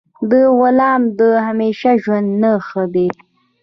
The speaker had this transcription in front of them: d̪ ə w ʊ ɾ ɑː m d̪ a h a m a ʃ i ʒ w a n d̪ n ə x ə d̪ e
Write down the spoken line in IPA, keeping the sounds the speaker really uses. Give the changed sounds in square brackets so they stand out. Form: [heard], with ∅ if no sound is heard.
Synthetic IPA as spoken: d̪ ə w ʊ [l] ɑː m d̪ [ə] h a m [e] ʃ [a] ʒ w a n d̪ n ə x ə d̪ e